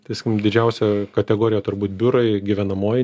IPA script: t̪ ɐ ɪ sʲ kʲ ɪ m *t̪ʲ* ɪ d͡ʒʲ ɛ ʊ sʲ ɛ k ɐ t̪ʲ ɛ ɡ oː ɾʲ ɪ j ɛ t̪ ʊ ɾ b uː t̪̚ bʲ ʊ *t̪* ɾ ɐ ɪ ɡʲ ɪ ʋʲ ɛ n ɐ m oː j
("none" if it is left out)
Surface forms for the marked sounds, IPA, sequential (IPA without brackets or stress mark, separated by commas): d̪ʲ, none